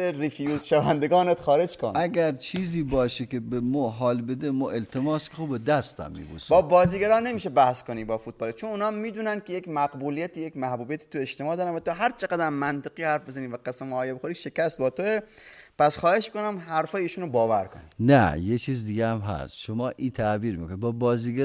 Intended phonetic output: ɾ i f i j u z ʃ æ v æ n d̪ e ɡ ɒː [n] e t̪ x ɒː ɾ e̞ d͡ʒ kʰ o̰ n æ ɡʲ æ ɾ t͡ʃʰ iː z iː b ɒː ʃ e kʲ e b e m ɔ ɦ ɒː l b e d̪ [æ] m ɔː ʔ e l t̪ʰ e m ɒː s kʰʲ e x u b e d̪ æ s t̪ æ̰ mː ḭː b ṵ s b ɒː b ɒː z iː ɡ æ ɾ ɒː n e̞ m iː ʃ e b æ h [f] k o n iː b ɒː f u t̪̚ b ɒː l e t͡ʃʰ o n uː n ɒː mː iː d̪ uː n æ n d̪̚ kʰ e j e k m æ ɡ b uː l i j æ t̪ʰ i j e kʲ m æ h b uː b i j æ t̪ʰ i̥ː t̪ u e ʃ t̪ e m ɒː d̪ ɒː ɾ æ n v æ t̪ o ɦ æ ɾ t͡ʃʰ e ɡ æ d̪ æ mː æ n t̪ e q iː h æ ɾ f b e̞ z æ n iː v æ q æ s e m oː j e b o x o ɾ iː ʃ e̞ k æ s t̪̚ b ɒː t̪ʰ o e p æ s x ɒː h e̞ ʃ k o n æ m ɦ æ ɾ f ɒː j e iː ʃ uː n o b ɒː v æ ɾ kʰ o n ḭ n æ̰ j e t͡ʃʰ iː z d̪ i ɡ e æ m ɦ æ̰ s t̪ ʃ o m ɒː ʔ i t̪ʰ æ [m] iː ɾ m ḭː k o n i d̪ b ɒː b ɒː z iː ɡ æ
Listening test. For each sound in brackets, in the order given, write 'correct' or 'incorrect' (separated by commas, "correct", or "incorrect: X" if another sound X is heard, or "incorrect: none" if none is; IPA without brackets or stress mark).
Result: correct, incorrect: e, incorrect: s, incorrect: b